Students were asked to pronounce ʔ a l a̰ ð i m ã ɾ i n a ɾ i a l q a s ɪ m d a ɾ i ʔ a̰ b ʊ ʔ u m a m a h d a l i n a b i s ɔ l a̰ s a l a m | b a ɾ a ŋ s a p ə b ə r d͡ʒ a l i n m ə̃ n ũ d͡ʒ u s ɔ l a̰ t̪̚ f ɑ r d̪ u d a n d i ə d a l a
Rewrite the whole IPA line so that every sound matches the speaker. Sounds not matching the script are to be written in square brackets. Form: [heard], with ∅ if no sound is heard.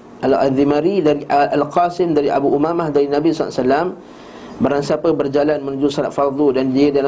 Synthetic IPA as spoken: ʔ a l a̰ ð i m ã ɾ i [d] a ɾ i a l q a s ɪ m d a ɾ i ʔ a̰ b [u] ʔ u m a m a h d a [ɾ] i n a b i s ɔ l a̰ s a l a m | b a ɾ a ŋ s a p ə b ə r d͡ʒ a l [a] n m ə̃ n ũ d͡ʒ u s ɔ l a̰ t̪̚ f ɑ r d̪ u d a n d i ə d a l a